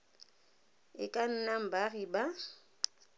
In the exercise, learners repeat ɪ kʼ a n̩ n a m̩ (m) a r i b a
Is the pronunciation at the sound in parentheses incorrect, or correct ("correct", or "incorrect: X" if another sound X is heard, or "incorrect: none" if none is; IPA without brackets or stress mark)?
incorrect: b